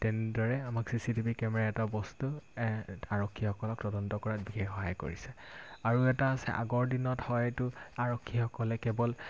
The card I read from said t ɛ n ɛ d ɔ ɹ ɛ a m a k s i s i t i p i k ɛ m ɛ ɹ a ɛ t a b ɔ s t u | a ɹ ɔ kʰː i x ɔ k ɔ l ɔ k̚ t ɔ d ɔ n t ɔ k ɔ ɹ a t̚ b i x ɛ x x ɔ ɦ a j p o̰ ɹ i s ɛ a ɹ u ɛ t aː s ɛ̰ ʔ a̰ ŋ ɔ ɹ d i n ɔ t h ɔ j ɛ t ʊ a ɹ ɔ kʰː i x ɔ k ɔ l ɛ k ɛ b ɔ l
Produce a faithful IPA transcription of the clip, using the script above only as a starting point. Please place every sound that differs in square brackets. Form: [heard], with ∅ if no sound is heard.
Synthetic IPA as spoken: t ɛ n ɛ d ɔ ɹ ɛ a m a k s i s i t i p i k ɛ m ɛ ɹ a ɛ t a b ɔ s t u | a ɹ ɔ kʰː i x ɔ k ɔ l ɔ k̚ t ɔ d ɔ n t ɔ k ɔ ɹ a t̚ b i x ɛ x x ɔ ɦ a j [k] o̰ ɹ i s ɛ a ɹ u ɛ t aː s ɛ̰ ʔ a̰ [ɡ] ɔ ɹ d i n ɔ t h ɔ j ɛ t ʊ a ɹ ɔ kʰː i x ɔ k ɔ l ɛ k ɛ b ɔ l